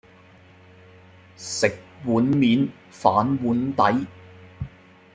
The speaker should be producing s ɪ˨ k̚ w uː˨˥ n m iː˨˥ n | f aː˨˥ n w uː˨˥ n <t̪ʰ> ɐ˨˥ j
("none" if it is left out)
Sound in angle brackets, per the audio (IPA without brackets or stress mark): t̪